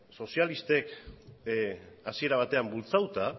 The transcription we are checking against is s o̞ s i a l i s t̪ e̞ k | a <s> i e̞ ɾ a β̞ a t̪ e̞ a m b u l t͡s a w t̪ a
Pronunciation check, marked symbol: correct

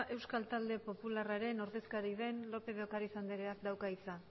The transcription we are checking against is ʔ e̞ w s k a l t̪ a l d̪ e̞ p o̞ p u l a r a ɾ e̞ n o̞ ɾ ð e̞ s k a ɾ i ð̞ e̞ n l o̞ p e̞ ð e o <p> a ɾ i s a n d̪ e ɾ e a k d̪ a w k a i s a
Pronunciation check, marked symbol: incorrect: k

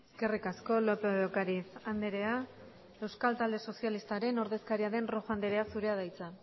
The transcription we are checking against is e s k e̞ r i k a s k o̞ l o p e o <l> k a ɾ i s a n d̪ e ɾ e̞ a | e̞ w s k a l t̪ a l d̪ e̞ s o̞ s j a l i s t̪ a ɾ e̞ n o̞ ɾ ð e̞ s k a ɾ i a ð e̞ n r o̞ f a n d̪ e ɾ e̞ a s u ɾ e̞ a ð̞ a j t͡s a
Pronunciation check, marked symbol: incorrect: none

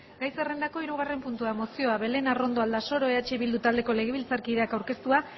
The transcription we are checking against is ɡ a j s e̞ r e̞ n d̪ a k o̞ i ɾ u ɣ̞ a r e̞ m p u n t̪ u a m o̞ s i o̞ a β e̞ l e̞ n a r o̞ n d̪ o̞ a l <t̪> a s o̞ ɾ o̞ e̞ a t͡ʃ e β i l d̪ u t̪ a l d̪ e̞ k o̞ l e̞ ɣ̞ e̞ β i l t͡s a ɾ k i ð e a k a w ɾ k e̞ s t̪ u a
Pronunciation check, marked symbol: incorrect: d̪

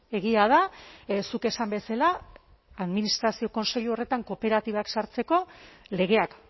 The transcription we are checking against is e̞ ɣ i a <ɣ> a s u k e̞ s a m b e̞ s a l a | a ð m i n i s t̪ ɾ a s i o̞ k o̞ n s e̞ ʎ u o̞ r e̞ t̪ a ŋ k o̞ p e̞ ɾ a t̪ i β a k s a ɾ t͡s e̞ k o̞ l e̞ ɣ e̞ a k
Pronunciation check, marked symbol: incorrect: ð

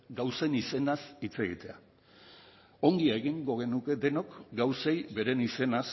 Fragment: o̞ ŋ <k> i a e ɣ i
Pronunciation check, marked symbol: incorrect: ɡ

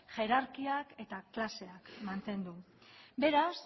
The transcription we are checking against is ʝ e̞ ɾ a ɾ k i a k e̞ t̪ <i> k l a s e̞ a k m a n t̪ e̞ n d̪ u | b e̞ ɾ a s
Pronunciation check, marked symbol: incorrect: a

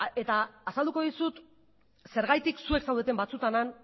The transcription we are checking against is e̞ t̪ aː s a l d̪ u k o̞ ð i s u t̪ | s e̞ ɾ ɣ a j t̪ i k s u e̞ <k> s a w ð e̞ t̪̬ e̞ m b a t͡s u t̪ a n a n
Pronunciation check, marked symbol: correct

